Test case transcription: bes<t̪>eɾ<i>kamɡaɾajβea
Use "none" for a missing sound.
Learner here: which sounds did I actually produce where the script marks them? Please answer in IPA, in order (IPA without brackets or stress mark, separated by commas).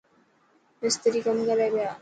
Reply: t̪, i